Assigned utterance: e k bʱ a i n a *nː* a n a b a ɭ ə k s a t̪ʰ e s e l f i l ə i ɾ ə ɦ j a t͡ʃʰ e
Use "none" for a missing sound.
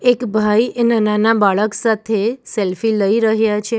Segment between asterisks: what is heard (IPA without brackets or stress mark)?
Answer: n